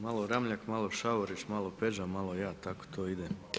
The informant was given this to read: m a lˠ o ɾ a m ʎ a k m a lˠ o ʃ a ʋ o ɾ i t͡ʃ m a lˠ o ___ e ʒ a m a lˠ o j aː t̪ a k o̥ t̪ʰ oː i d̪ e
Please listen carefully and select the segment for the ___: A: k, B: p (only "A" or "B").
B